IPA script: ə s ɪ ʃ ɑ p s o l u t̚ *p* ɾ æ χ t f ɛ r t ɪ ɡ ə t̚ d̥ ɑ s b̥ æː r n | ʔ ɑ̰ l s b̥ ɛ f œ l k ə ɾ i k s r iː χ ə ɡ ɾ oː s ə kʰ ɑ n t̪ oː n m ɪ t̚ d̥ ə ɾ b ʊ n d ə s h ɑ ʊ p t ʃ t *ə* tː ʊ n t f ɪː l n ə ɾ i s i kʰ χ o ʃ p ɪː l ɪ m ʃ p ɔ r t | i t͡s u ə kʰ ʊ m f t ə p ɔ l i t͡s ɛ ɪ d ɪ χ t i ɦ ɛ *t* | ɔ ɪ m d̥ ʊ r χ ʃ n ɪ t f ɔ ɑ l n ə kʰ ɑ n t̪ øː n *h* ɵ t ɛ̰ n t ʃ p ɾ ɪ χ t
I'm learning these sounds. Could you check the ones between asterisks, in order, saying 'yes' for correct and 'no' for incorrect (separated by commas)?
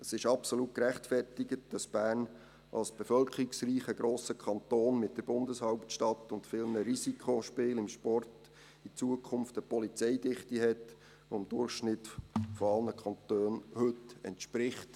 no, no, yes, yes